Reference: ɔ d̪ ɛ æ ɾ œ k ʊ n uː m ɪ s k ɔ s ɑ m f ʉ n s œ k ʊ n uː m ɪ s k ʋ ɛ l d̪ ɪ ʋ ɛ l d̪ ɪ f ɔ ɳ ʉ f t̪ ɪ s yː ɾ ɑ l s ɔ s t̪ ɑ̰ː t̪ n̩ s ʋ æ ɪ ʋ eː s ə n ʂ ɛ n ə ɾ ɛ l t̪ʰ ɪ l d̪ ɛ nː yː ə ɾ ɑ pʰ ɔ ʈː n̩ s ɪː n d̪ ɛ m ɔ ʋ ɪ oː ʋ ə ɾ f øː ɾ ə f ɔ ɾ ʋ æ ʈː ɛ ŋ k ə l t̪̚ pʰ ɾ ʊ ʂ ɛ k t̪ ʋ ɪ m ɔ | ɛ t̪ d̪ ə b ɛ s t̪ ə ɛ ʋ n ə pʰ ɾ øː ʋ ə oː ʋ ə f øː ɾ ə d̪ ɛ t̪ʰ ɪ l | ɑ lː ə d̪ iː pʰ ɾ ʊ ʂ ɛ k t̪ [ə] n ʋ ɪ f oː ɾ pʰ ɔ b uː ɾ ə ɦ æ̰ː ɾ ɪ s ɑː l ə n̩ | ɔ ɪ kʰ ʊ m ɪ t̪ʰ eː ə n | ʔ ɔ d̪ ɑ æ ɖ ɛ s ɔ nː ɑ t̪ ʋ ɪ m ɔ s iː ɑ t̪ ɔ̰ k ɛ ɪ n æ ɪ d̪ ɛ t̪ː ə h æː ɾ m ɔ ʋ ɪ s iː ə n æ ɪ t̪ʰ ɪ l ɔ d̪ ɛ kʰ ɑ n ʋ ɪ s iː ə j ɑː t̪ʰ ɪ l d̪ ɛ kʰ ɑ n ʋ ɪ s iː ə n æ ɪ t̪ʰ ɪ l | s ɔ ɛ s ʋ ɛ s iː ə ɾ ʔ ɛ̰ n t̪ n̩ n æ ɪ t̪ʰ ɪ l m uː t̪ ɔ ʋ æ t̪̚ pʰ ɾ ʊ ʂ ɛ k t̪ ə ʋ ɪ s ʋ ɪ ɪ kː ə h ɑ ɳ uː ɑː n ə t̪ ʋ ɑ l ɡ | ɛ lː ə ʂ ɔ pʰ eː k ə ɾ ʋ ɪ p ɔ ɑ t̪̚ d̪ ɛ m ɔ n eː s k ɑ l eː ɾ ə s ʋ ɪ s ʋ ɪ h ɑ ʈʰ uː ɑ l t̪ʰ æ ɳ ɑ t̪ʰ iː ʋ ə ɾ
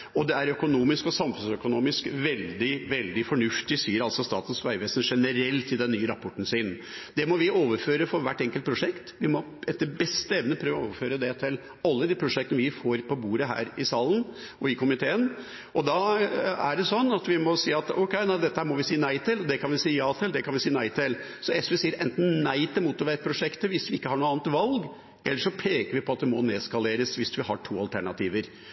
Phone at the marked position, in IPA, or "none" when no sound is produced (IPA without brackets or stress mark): ə